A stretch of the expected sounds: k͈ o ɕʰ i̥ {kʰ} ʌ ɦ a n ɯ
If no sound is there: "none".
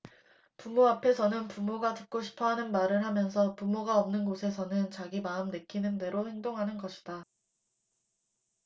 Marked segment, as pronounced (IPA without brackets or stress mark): pʰ